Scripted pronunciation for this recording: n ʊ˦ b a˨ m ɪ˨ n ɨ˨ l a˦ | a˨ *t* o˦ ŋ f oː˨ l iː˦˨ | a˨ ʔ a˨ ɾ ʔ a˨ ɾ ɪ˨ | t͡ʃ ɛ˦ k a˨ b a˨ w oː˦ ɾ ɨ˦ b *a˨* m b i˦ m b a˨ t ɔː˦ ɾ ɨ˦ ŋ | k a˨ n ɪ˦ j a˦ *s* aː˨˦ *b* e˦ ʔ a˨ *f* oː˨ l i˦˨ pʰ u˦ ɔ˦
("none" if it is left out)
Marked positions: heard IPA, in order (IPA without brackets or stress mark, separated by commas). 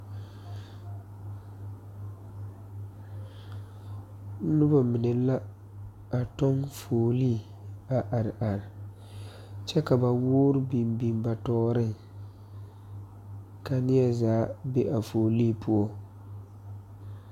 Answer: t, i˨, z, b, f